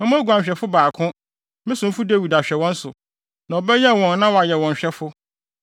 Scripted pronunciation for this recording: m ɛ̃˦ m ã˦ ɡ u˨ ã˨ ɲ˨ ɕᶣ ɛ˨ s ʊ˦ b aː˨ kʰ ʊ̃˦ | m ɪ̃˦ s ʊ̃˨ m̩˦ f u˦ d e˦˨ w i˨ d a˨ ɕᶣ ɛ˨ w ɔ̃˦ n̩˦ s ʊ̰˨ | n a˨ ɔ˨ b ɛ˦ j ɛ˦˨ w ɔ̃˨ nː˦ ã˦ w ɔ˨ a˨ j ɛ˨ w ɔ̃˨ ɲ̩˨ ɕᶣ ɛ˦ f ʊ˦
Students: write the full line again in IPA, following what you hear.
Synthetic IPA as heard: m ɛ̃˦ m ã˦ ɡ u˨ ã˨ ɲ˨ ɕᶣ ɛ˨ f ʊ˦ b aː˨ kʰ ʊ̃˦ | m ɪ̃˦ s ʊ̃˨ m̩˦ f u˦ d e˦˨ w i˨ d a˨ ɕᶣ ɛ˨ w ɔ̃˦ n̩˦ s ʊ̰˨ | n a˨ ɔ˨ b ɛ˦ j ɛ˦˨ w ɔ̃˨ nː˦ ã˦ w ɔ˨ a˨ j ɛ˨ w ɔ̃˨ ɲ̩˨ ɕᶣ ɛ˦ f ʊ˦